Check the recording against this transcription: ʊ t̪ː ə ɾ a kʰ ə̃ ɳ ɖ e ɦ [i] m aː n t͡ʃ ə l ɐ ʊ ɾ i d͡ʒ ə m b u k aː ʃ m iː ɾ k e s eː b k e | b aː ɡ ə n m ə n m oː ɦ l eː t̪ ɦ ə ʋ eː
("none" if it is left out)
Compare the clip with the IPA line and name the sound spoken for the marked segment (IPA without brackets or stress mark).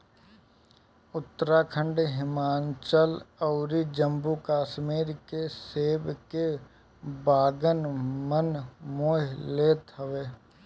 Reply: ɪ